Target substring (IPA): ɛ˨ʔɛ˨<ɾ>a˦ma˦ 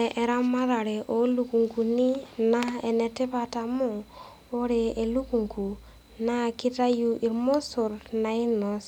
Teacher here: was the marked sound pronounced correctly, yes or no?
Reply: yes